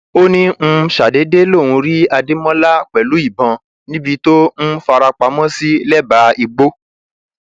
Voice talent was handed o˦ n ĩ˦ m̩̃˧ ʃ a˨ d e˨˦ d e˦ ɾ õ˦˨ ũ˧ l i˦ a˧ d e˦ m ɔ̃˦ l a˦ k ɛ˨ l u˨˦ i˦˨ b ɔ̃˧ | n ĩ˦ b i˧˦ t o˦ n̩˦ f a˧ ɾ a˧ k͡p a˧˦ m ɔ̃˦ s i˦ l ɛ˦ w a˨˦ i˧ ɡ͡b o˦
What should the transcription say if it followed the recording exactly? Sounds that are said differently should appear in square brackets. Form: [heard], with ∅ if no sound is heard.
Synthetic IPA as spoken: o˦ n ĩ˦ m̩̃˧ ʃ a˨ d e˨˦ d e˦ [l] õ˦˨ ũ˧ [ɾ] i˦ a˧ d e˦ m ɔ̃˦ l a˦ [k͡p] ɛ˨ l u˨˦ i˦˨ b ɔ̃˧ | n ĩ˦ b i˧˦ t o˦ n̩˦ f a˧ ɾ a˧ k͡p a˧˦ m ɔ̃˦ s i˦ l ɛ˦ [b] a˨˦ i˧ ɡ͡b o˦